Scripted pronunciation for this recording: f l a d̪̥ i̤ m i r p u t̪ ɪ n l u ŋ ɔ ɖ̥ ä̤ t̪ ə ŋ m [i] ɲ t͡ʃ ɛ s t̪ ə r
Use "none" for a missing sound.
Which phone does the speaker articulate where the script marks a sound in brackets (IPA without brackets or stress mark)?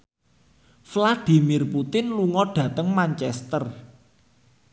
a